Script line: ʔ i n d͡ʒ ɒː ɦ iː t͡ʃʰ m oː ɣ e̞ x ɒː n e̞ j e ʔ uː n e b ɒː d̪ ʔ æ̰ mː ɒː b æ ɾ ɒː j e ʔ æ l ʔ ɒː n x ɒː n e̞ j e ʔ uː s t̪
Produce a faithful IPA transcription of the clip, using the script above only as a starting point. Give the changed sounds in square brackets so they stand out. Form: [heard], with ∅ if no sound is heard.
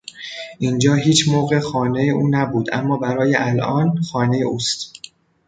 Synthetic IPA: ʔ i n d͡ʒ ɒː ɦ iː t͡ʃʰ m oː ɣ e̞ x ɒː n e̞ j e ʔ uː n [æ] b [uː] d̪ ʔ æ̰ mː ɒː b æ ɾ ɒː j e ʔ æ l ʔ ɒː n x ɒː n e̞ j e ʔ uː s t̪